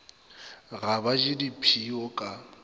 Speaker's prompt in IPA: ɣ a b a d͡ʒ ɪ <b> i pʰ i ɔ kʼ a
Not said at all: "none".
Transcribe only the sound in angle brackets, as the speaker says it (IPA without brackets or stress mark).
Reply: d